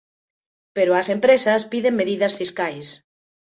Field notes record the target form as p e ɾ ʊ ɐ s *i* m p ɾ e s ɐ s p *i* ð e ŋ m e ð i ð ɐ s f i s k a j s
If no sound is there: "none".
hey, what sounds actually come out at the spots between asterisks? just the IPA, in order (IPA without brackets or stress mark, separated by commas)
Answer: e, i